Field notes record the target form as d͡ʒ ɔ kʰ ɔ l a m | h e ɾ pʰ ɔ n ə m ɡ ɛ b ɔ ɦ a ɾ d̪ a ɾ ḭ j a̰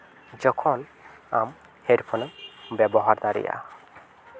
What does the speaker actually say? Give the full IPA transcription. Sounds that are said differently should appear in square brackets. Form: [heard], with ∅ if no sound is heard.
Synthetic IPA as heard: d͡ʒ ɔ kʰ ɔ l a m | h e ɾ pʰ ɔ n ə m [b] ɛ b ɔ ɦ a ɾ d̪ a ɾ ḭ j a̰